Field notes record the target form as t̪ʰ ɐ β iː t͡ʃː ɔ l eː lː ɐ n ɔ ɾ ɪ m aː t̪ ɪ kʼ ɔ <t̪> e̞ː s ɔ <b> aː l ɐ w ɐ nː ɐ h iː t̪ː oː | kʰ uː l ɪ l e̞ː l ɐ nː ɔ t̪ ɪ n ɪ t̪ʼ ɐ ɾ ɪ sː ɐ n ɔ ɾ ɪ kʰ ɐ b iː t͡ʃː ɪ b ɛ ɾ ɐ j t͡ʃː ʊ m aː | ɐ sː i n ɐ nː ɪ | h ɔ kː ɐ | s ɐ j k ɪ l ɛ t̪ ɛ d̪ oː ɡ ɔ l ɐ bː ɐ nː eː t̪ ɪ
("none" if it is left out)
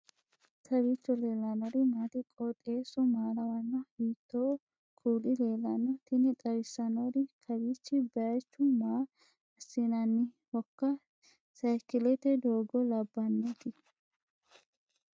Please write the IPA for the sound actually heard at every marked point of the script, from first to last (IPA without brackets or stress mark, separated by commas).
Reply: t̪ʼ, m